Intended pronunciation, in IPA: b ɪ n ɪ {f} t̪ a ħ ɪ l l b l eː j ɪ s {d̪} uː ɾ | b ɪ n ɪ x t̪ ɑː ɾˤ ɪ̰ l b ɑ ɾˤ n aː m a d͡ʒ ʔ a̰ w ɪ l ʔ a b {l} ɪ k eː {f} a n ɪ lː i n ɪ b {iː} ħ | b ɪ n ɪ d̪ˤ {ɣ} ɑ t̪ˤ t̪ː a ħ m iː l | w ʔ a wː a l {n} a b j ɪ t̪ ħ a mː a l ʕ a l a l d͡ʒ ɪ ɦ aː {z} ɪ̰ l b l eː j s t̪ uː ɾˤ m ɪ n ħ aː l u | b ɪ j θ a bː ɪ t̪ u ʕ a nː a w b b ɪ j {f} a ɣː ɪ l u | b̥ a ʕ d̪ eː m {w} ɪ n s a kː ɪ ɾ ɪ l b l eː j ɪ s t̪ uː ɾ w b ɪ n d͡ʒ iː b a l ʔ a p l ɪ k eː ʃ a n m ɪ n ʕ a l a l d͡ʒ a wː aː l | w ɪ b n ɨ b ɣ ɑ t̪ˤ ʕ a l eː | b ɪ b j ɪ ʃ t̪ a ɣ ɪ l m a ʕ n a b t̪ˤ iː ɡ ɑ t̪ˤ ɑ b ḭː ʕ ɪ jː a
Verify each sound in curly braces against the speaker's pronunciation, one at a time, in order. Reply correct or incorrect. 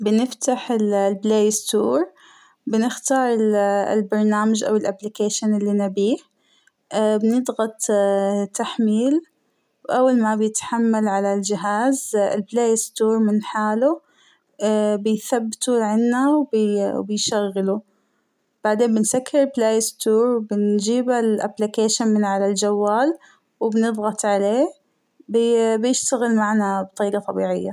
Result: correct, incorrect: t̪, correct, incorrect: ʃ, correct, correct, incorrect: m, correct, incorrect: ʃ, incorrect: b

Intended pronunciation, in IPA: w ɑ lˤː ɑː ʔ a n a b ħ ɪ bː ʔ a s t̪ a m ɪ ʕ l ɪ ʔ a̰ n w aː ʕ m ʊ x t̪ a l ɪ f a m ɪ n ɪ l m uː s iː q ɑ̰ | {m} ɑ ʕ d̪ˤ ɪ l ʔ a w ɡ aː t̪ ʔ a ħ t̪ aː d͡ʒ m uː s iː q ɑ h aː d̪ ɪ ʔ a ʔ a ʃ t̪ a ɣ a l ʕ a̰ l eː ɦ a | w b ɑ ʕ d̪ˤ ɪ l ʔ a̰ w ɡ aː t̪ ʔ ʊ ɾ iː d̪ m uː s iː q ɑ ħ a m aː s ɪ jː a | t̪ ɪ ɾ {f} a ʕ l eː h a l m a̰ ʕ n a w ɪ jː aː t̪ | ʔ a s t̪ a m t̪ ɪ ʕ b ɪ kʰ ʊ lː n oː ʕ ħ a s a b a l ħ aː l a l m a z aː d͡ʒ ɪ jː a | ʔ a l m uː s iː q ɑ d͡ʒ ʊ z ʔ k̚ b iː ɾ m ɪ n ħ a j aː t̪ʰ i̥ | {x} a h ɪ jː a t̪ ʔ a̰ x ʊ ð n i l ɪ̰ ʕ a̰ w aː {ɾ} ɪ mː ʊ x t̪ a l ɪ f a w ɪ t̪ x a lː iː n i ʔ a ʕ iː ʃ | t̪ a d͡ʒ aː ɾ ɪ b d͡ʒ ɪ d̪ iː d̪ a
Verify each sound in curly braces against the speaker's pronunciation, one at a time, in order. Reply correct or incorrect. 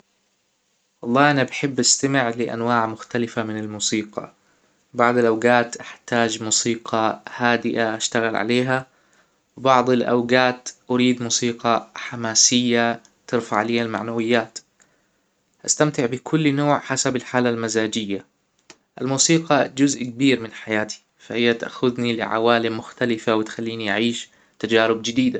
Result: incorrect: b, correct, incorrect: f, incorrect: l

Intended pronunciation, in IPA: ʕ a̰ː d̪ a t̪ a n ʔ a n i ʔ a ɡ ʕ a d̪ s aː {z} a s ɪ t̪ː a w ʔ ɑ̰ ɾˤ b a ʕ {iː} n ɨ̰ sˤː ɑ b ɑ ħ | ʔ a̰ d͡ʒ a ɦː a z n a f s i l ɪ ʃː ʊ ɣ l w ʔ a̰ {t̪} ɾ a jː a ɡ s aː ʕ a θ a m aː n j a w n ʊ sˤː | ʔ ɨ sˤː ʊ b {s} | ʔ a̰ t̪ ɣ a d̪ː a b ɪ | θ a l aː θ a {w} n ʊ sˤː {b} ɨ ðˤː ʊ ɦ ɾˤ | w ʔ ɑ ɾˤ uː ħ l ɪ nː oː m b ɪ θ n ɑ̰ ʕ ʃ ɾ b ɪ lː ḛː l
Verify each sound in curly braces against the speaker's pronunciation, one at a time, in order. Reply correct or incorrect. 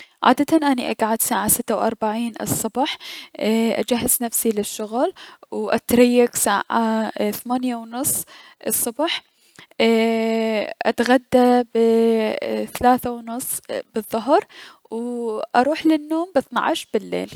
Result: incorrect: ʕ, correct, correct, incorrect: ħ, correct, correct

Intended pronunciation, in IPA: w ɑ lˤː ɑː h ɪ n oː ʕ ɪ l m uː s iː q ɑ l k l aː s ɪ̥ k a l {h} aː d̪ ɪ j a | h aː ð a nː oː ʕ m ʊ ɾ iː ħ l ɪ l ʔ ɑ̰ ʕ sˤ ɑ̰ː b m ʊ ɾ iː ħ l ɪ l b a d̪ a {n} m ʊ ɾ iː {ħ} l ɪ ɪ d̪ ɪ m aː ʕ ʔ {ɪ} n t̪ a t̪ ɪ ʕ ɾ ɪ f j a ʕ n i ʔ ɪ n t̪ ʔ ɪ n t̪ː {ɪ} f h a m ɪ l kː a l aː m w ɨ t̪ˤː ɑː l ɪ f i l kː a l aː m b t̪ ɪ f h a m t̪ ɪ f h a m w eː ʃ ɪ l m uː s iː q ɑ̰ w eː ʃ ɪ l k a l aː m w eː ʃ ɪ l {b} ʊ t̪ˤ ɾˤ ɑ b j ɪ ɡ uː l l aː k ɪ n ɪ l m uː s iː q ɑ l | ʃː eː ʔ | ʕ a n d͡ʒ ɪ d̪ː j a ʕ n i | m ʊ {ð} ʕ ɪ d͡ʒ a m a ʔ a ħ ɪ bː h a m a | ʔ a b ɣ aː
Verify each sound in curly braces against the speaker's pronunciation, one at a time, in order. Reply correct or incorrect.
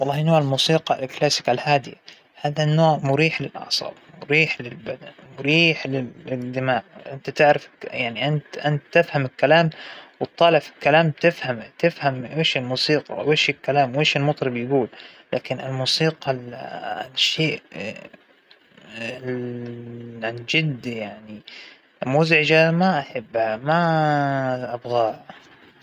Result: correct, correct, correct, correct, correct, incorrect: m, incorrect: z

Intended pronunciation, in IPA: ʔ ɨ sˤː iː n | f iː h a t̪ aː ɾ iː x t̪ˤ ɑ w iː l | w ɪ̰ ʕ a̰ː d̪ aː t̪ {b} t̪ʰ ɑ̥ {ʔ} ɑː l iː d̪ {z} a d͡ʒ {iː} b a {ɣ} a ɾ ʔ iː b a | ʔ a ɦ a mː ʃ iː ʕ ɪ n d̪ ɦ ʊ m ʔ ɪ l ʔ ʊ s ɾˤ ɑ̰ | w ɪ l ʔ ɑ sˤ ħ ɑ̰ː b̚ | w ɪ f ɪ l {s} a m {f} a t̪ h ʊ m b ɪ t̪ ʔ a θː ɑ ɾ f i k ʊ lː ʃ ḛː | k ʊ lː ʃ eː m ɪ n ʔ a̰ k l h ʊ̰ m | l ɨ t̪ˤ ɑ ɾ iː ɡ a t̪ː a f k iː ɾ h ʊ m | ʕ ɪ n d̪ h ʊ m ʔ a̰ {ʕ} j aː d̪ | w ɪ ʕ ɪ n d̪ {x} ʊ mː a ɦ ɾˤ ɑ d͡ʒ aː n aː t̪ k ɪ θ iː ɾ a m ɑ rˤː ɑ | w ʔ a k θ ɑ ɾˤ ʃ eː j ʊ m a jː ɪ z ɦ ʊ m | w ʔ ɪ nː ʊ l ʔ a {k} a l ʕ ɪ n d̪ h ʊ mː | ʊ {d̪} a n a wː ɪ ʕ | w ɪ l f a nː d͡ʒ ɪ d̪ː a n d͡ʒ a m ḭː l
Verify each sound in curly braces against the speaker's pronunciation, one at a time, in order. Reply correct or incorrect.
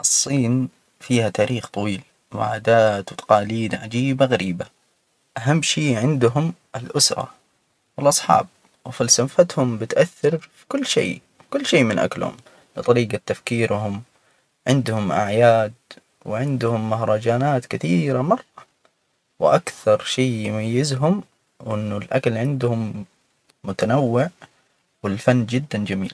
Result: incorrect: w, incorrect: q, incorrect: ʕ, correct, correct, correct, correct, correct, incorrect: h, correct, incorrect: t̪

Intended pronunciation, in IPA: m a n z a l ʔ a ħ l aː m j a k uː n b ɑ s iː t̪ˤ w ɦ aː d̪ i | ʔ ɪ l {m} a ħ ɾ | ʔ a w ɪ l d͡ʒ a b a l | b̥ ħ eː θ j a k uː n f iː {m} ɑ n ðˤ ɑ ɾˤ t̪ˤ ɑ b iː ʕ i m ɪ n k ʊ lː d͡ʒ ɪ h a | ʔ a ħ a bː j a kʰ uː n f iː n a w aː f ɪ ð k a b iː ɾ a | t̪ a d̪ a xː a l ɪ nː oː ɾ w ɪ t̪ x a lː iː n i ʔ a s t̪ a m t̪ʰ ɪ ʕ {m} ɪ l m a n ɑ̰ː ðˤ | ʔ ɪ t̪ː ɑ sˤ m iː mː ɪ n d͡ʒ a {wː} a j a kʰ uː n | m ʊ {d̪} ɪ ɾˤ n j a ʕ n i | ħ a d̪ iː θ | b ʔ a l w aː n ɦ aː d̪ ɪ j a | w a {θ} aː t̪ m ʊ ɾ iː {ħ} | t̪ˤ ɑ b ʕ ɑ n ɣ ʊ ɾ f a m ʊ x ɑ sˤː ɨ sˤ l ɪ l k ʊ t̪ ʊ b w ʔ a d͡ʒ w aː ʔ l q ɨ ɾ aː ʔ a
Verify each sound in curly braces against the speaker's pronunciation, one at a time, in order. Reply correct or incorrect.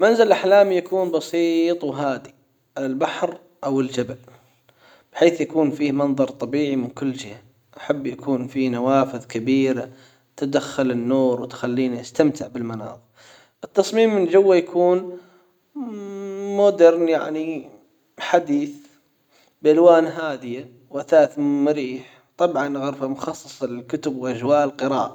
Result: incorrect: b, correct, incorrect: b, correct, correct, correct, correct

